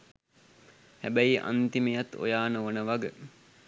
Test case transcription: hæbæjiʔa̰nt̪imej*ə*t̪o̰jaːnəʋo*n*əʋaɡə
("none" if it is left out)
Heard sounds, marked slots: a, n

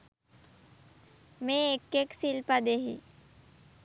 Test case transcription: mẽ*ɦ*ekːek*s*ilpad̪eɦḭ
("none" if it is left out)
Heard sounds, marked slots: none, s

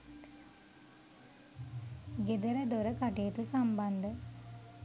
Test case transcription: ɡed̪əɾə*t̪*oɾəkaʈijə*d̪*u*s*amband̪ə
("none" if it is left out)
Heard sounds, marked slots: d̪, t̪, s

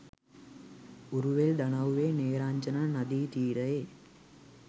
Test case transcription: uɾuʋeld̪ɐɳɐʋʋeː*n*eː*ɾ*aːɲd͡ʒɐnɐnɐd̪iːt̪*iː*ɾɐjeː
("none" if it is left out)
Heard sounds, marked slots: n, ɾ, iː

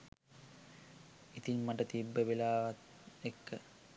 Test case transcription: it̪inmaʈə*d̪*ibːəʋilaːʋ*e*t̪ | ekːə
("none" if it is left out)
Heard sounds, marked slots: t̪, a

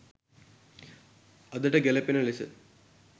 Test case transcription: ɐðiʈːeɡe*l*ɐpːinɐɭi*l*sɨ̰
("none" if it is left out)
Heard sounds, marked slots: l, none

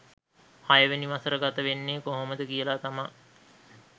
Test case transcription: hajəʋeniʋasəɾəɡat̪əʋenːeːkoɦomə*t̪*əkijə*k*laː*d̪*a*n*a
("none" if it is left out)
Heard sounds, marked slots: d̪, none, t̪, m

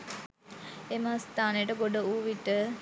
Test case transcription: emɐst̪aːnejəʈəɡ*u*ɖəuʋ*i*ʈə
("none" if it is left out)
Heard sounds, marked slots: o, i

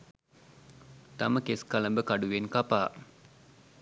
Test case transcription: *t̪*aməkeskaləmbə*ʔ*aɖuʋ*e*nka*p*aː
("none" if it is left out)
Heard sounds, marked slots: t̪, k, e, p

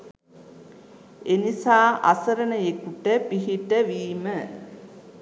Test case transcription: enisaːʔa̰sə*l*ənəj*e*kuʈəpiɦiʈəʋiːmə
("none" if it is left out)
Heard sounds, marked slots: ɾ, e

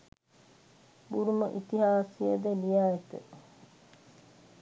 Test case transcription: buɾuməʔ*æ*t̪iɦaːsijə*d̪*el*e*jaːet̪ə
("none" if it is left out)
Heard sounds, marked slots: i, d̪, i

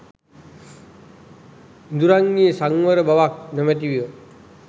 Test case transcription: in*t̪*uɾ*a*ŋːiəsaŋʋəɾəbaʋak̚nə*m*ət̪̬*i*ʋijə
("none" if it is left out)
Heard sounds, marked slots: d̪, a, m, i

